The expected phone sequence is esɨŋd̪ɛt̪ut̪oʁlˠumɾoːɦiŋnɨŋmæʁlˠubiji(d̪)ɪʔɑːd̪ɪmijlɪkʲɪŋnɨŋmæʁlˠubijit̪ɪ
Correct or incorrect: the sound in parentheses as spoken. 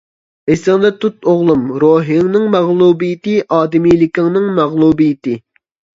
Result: incorrect: t̪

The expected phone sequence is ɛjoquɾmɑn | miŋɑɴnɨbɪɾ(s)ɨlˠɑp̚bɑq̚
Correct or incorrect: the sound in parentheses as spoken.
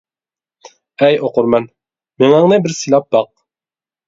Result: correct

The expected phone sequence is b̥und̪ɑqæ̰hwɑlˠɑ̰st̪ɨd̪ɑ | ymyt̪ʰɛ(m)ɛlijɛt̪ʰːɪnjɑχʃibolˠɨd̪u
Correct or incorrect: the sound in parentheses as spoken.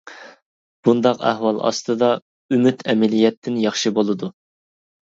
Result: correct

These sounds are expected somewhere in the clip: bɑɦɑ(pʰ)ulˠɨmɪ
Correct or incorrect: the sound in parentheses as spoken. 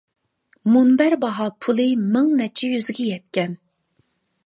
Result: correct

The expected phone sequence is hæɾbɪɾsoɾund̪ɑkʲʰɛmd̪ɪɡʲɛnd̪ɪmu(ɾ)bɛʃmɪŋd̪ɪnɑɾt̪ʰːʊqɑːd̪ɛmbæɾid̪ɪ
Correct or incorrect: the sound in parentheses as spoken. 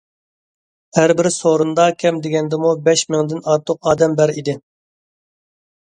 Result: incorrect: none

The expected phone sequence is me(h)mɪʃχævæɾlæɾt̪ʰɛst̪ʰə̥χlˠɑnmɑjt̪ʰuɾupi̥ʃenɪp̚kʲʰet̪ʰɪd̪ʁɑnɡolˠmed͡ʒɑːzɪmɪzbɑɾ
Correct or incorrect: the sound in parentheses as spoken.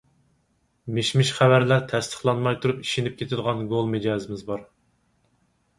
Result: incorrect: ʃ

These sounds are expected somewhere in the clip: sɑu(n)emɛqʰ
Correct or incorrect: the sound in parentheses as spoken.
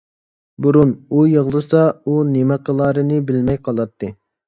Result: correct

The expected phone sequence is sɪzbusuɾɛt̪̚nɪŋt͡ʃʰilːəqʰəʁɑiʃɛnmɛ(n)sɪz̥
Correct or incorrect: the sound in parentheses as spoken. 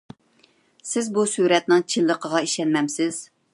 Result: incorrect: m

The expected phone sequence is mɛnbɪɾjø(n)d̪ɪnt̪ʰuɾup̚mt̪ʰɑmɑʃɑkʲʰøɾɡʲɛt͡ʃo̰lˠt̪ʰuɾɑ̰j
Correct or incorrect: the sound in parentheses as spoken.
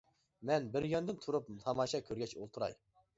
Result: correct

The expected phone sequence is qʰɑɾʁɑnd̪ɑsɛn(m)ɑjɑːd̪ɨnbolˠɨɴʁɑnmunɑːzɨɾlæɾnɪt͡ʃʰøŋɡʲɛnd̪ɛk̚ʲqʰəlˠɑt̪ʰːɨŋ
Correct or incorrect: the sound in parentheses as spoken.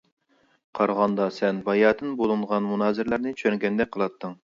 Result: incorrect: b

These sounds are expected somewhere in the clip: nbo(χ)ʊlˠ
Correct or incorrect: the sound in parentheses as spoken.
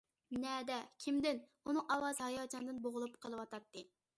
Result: incorrect: ʁ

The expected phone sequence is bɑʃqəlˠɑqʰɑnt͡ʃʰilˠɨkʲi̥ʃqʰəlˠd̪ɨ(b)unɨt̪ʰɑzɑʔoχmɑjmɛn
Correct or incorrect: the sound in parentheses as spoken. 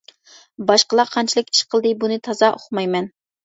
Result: correct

